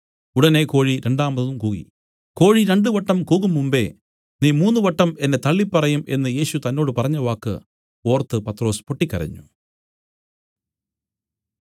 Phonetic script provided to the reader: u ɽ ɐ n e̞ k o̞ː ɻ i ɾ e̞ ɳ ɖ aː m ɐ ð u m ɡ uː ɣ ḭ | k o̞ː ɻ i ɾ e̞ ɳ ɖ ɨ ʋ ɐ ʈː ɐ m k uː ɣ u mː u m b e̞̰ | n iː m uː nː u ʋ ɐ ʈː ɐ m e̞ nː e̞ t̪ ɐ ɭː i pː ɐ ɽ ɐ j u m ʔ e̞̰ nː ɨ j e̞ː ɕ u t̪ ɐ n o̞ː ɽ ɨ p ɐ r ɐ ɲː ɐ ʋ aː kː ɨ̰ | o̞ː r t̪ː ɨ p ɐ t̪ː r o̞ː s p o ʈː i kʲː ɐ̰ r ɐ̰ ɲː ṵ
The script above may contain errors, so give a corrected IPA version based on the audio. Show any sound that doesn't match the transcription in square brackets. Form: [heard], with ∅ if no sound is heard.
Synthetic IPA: u ɽ ɐ n e̞ k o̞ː ɻ i ɾ e̞ ɳ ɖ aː m ɐ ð u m [k] uː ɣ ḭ | k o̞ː ɻ i ɾ e̞ ɳ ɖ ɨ ʋ ɐ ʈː ɐ m k uː ɣ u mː u m b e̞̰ | n iː m uː nː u ʋ ɐ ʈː ɐ m e̞ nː e̞ t̪ ɐ ɭː i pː ɐ [r] ɐ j u m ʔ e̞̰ nː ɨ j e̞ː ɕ u t̪ ɐ [nː] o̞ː ɽ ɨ p ɐ r ɐ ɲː ɐ ʋ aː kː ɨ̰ | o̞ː r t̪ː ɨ p ɐ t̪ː r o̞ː s p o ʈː i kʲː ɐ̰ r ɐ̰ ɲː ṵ